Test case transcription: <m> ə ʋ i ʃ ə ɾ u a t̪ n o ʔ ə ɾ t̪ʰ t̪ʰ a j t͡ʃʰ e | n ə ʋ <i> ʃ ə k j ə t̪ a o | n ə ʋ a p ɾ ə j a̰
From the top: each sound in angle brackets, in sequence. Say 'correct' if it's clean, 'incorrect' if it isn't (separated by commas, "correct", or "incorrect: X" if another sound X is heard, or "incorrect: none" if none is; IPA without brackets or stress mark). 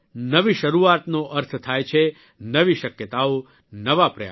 incorrect: n, correct